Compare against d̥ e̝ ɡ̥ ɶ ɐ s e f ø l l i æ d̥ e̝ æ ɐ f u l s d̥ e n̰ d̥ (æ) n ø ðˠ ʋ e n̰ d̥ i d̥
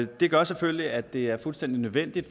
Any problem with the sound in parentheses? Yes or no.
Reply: yes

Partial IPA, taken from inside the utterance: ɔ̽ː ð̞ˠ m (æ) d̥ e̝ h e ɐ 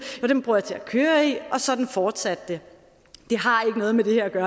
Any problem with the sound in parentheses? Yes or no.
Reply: yes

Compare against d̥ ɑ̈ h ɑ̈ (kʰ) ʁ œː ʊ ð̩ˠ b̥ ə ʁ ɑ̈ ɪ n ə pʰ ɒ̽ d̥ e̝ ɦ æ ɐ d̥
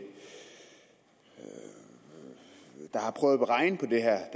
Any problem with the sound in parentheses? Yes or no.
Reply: yes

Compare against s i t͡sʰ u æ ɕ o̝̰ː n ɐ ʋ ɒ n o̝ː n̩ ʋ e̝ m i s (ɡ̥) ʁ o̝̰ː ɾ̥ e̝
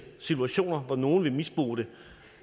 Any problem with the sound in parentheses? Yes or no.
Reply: yes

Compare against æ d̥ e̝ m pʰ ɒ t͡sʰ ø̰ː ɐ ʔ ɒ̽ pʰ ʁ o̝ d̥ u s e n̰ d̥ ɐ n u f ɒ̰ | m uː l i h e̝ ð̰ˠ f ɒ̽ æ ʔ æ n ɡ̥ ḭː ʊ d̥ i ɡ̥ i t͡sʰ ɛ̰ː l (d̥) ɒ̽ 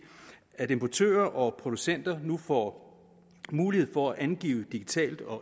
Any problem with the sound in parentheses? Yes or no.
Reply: no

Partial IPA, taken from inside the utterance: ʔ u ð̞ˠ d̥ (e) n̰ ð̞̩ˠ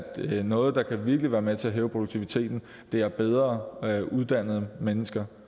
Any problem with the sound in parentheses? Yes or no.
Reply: yes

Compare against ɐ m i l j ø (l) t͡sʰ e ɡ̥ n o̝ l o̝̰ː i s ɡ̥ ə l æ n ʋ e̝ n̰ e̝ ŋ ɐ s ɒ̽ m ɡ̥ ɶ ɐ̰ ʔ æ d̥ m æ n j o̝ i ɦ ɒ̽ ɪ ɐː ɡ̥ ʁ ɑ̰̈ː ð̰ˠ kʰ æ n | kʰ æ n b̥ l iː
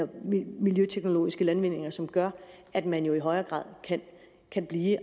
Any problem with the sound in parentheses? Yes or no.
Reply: yes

